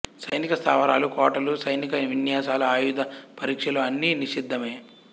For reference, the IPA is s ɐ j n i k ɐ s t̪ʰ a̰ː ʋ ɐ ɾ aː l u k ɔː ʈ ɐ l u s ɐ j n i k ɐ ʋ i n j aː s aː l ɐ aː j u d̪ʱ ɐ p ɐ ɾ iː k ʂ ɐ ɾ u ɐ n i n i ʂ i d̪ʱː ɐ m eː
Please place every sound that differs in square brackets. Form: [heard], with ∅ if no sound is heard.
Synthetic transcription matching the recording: s ɐ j n i k ɐ s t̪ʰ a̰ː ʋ ɐ ɾ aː l u k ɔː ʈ ɐ l u s ɐ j n i k ɐ ʋ i n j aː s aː l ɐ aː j u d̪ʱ ɐ p ɐ ɾ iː k ʂ ɐ [l] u ɐ [nː] i n i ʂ i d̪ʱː ɐ m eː